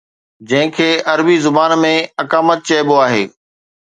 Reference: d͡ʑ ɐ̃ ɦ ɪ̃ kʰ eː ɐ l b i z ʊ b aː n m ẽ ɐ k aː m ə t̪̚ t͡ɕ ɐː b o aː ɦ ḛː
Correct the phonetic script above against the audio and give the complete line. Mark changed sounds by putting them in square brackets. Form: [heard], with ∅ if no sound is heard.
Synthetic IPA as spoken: d͡ʑ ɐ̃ ɦ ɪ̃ kʰ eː ɐ [ɾ] b i z ʊ b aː n m ẽ ɐ k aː m ə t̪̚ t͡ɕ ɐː b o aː ɦ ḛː